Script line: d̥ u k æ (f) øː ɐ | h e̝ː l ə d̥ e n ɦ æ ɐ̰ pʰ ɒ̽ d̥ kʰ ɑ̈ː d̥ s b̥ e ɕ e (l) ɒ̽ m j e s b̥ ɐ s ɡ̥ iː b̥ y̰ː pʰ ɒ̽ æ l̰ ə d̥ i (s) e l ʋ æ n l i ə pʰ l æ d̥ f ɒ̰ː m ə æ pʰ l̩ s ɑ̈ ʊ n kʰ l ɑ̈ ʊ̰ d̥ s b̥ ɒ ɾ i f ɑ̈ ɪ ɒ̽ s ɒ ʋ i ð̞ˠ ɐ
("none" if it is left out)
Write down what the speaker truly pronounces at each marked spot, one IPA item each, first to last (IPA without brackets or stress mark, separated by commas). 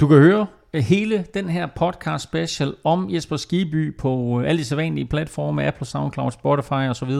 h, l, s